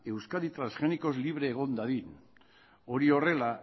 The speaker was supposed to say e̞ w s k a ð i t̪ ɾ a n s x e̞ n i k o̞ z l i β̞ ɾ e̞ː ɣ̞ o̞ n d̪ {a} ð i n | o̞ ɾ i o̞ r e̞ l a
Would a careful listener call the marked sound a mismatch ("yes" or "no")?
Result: no